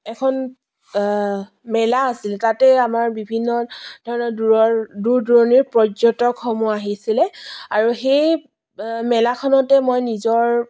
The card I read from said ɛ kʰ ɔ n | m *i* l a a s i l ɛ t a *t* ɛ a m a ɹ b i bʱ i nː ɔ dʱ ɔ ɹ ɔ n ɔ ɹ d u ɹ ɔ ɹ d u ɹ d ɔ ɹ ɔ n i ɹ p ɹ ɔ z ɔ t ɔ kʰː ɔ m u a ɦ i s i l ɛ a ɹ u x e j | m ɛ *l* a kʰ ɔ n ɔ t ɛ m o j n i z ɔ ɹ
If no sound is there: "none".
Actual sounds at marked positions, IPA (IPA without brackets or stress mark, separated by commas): ɛ, t, l